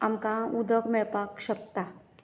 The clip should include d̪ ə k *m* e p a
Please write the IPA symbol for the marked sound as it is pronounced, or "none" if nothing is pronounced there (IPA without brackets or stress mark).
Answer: m